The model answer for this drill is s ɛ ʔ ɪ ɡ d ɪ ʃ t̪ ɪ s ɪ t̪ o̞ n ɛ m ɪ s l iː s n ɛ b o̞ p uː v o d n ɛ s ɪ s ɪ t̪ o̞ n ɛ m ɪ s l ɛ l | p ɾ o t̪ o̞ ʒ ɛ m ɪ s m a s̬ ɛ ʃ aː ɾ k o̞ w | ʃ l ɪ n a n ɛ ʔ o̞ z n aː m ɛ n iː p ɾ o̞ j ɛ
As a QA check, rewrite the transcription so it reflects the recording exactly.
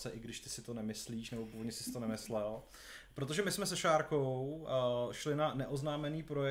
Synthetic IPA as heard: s ɛ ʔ ɪ ɡ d ɪ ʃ t̪ ɪ s ɪ t̪ o̞ n ɛ m ɪ s l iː ʃ n ɛ b o̞ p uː v o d ɲ ɛ s ɪ s ɪ t̪ o̞ n ɛ m ɪ s l ɛ l | p ɾ o t̪ o̞ ʒ ɛ m ɪ s m ɛ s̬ ɛ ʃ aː ɾ k o̞ w | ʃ l ɪ n a n ɛ ʔ o̞ z n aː m ɛ n iː p ɾ o̞ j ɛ